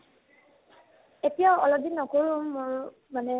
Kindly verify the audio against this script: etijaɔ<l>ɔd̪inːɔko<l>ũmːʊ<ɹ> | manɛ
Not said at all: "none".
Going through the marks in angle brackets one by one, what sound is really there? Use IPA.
l, ɹ, ɹ

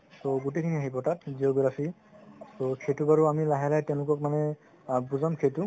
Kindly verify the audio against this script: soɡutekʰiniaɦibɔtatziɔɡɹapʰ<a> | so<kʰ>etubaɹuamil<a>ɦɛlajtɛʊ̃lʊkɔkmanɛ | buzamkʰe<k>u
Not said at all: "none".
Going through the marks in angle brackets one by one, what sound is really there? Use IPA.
i, kʰ, a, t

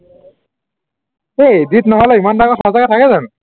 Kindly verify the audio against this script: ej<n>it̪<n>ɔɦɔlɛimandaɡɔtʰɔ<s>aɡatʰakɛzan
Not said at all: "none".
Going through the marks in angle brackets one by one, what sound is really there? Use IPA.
d, n, z

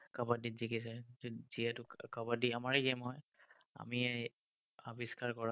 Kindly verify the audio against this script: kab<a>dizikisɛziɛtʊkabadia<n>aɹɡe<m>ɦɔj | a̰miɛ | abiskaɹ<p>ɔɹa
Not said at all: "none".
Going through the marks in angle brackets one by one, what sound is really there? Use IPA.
a, m, m, k

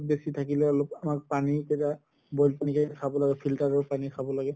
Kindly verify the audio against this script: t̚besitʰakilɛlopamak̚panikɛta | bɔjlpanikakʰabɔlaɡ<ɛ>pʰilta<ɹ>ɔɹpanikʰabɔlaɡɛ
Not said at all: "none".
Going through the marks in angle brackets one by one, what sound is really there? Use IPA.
ɛ, ɹ

